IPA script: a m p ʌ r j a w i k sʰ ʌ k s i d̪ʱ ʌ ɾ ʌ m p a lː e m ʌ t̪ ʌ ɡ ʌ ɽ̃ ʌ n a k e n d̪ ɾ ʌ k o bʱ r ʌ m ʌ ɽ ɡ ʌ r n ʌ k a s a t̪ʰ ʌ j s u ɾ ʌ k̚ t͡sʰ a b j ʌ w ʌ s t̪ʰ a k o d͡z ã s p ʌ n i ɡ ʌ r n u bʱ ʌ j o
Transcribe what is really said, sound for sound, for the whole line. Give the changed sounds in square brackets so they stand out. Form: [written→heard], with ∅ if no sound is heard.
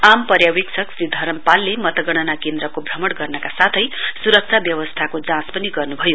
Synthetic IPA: a m p ʌ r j a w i k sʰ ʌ k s i d̪ʱ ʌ ɾ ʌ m p a lː e m ʌ t̪ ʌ ɡ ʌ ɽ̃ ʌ n a k e n d̪ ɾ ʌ k o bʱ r ʌ m ʌ ɽ ɡ ʌ r n ʌ k a s a t̪ʰ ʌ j s u ɾ ʌ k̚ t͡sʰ a b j ʌ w ʌ s t̪ʰ a k o d͡z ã s p ʌ n i ɡ ʌ r n u bʱ ʌ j o

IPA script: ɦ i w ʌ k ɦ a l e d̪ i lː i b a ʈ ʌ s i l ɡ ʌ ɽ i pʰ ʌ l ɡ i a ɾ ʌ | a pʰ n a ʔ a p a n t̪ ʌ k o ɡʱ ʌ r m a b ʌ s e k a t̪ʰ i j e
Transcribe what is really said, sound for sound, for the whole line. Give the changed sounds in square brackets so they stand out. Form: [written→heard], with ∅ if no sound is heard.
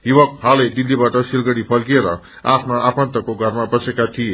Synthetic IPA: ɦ i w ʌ k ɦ a l e d̪ i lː i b a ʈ ʌ s i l ɡ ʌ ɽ i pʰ ʌ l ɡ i [a→e] ɾ ʌ | a pʰ n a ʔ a p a n t̪ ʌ k o ɡʱ ʌ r m a b ʌ s e k a t̪ʰ i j e

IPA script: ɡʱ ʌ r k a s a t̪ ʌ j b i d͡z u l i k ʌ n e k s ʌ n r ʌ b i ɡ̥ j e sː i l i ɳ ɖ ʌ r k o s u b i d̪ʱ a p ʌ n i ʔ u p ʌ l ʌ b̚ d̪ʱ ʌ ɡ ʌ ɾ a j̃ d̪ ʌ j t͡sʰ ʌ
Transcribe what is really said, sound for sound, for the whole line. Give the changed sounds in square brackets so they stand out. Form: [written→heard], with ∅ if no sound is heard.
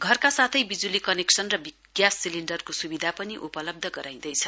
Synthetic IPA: ɡʱ ʌ r k a s a [t̪→t̪ʰ] ʌ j b i d͡z u l i k ʌ n e k s ʌ n r ʌ b i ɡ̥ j [e→a] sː i l i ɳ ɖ ʌ r k o s u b i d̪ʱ a p ʌ n i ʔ u p ʌ l ʌ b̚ d̪ʱ ʌ ɡ ʌ ɾ a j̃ d̪ ʌ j t͡sʰ ʌ

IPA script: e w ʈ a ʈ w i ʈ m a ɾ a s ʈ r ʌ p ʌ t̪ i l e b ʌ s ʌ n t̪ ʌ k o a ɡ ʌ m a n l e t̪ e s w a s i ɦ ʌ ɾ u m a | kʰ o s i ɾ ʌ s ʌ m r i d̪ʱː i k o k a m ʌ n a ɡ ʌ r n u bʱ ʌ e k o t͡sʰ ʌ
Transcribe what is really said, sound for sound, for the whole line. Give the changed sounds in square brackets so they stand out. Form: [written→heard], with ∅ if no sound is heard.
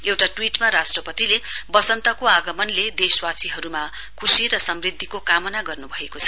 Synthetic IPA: e w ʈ a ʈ w i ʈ m a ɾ a s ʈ r ʌ p ʌ t̪ i l e b ʌ s ʌ n t̪ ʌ k o a ɡ ʌ m [a→ʌ] n l e [t̪→d̪] e s w a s i ɦ ʌ ɾ u m a | kʰ [o→u] s i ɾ ʌ s ʌ m r i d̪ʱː i k o k a m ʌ n a ɡ ʌ r n u bʱ ʌ e k o t͡sʰ ʌ

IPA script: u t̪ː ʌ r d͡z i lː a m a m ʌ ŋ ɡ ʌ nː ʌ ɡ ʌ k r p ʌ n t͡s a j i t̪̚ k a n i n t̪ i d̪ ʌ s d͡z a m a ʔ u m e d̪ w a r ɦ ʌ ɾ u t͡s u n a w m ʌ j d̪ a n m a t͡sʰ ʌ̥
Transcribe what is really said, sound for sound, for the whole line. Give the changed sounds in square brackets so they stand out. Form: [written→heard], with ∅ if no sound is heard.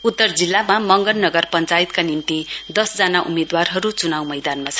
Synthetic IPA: u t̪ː ʌ r d͡z i lː a m a m ʌ ŋ ɡ ʌ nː ʌ ɡ ʌ [k→∅] r p ʌ n t͡s a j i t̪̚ k a n i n t̪ i d̪ ʌ s d͡z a [m→n] a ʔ u m e d̪ w a r ɦ ʌ ɾ u t͡s u n a w m ʌ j d̪ a n m a t͡sʰ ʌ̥

